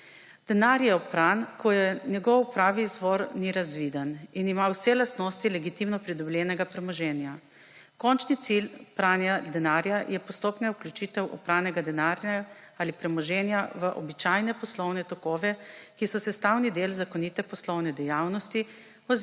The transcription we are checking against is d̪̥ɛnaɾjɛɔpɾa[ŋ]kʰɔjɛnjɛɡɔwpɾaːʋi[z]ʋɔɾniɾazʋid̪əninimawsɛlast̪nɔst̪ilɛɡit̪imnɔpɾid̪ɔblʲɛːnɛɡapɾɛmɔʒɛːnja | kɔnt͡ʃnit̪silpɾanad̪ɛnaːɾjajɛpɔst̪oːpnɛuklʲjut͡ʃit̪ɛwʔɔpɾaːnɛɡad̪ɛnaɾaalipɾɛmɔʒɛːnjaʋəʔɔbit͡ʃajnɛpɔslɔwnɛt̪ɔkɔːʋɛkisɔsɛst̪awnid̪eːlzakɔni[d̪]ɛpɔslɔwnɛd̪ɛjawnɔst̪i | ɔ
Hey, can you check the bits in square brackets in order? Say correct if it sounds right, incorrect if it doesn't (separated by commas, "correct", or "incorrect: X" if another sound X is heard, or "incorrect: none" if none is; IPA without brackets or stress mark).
incorrect: n, correct, incorrect: t̪